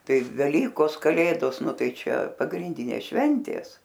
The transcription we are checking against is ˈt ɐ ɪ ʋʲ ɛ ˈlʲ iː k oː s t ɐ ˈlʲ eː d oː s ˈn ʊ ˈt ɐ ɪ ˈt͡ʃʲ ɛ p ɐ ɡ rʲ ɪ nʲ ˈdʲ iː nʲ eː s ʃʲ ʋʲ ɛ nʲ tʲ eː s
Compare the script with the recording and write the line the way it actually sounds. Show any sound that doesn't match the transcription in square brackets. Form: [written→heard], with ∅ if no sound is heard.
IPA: ˈt ɐ ɪ ʋʲ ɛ ˈlʲ iː k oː s [t→k] ɐ ˈlʲ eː d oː s ˈn ʊ ˈt ɐ ɪ ˈt͡ʃʲ ɛ p ɐ ɡ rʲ ɪ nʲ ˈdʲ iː nʲ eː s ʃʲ ʋʲ ɛ nʲ tʲ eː s

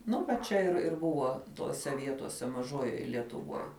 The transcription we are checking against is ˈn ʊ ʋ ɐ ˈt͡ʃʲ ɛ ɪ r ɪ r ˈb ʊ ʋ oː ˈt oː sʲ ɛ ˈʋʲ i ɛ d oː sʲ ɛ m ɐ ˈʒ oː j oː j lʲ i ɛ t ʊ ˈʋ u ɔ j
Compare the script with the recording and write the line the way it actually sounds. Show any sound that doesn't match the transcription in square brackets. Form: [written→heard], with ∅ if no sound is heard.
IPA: ˈn ʊ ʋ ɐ ˈt͡ʃʲ ɛ ɪ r ɪ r ˈb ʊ ʋ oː ˈt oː sʲ ɛ ˈʋʲ i ɛ [d→t] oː sʲ ɛ m ɐ ˈʒ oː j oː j lʲ i ɛ t ʊ ˈʋ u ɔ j

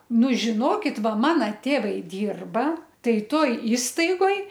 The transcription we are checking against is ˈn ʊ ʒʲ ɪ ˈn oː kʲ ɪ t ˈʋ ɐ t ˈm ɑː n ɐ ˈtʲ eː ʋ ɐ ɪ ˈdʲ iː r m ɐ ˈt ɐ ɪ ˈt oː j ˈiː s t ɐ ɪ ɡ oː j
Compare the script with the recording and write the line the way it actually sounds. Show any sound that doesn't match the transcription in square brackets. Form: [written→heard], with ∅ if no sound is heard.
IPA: ˈn ʊ ʒʲ ɪ ˈn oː kʲ ɪ t ˈʋ ɐ [t→∅] ˈm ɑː n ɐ ˈtʲ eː ʋ ɐ ɪ ˈdʲ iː r [m→b] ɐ ˈt ɐ ɪ ˈt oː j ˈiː s t ɐ ɪ ɡ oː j

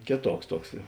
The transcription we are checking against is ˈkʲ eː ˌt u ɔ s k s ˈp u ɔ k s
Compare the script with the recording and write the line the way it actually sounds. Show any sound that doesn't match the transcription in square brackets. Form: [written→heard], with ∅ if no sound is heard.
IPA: ˈkʲ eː ˌt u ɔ [s→∅] k s [ˈp→ˈt] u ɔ k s

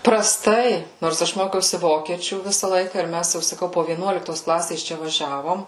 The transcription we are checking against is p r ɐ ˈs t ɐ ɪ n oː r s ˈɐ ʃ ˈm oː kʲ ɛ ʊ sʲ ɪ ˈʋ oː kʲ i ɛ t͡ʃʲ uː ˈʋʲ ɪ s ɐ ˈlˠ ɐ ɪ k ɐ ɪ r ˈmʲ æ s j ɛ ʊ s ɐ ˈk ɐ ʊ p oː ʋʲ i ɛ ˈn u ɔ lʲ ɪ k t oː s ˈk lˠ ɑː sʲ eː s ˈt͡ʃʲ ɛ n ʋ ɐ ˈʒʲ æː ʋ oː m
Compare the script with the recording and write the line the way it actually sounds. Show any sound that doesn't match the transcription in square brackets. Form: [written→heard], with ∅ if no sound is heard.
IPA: p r ɐ ˈs t ɐ ɪ n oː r s ˈɐ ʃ ˈm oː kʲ ɛ ʊ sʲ ɪ ˈʋ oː kʲ i ɛ t͡ʃʲ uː ˈʋʲ ɪ s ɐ ˈlˠ ɐ ɪ k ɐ ɪ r ˈmʲ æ s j ɛ ʊ s ɐ ˈk ɐ ʊ p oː ʋʲ i ɛ ˈn u ɔ lʲ ɪ k t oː s ˈk lˠ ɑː sʲ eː s ˈt͡ʃʲ ɛ [n→∅] ʋ ɐ ˈʒʲ æː ʋ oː m

